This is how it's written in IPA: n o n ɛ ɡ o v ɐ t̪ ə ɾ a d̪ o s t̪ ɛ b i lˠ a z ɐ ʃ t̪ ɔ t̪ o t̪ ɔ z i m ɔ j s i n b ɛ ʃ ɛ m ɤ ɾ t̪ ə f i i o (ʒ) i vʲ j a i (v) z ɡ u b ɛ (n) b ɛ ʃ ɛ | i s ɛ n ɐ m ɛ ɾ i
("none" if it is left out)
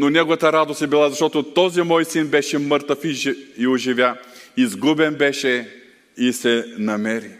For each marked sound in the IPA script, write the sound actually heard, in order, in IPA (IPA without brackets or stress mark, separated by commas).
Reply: ʒ, none, n